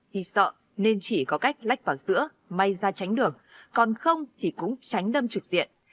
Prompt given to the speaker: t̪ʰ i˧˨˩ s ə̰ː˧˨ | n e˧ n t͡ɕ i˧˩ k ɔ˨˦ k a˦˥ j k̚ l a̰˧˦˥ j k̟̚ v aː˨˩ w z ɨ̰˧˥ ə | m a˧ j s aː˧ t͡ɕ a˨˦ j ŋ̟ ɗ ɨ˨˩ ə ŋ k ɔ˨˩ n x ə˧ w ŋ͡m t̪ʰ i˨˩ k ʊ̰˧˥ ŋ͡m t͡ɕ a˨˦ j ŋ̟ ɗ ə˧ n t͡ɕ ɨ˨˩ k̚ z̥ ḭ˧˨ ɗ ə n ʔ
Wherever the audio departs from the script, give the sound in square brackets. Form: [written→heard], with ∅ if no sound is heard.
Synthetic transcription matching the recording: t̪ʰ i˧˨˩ s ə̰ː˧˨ | n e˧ n t͡ɕ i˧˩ k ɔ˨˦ k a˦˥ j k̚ l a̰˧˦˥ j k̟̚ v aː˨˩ w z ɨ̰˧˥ ə | m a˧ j [s→z] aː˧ t͡ɕ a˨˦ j ŋ̟ ɗ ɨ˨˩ ə ŋ k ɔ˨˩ n x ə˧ w ŋ͡m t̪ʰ i˨˩ k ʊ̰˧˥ ŋ͡m t͡ɕ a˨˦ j ŋ̟ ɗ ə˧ [n→m] t͡ɕ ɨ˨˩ k̚ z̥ ḭ˧˨ [ɗ→∅] ə n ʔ

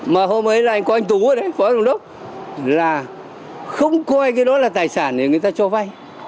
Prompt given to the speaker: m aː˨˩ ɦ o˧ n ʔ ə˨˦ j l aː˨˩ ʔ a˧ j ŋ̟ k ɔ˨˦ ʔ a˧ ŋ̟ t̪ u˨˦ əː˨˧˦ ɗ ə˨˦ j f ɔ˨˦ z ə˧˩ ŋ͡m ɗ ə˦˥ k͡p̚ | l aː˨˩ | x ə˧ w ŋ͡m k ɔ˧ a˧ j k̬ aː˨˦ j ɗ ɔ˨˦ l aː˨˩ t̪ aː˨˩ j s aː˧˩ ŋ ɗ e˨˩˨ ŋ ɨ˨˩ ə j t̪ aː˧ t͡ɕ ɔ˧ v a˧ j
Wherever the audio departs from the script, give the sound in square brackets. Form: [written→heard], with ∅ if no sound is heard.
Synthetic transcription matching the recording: m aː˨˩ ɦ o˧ [n→m] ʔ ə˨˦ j l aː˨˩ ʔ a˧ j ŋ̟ k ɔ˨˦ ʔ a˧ ŋ̟ t̪ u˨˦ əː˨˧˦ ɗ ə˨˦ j f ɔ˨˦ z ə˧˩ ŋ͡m ɗ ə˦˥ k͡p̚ | l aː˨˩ | x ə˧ w ŋ͡m k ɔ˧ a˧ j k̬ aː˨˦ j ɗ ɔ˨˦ l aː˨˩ t̪ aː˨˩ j s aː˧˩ [ŋ→n] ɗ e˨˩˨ ŋ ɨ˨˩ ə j t̪ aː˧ t͡ɕ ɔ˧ v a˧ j

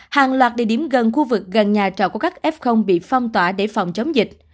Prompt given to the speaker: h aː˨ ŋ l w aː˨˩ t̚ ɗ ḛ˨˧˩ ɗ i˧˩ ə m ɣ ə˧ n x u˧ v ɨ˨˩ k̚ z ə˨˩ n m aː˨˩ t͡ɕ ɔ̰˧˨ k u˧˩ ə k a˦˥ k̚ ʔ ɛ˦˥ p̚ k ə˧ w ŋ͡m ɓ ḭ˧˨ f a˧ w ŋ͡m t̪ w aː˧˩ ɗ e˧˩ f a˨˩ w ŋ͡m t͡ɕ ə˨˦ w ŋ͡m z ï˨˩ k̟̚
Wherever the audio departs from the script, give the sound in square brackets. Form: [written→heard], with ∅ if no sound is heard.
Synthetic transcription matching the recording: h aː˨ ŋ l w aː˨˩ t̚ ɗ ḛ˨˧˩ ɗ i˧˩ ə m ɣ [ə˧→ə˨˩] n x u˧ v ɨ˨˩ k̚ [z→ɣ] ə˨˩ n [m→ɲ] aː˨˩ t͡ɕ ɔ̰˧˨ k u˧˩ ə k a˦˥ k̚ ʔ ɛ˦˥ p̚ [k→x] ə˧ w ŋ͡m ɓ ḭ˧˨ f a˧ w ŋ͡m t̪ w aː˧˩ ɗ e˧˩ f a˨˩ w ŋ͡m t͡ɕ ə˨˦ w ŋ͡m z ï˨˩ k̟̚

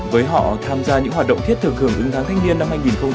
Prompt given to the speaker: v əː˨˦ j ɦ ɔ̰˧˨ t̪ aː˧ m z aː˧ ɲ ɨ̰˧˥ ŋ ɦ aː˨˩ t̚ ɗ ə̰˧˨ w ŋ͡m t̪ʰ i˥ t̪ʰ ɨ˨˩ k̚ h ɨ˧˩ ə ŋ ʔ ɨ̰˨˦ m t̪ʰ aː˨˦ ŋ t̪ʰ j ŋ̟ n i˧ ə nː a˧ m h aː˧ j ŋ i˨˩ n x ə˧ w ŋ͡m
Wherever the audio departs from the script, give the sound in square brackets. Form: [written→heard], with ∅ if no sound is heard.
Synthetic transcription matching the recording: v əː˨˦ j ɦ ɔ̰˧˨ [t̪→t̪ʰ] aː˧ m z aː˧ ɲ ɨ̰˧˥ ŋ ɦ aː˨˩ t̚ ɗ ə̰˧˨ w ŋ͡m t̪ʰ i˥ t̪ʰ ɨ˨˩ k̚ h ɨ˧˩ ə ŋ ʔ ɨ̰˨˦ [m→ŋ] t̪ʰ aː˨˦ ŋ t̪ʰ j ŋ̟ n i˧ ə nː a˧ m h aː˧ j ŋ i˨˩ n x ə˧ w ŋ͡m

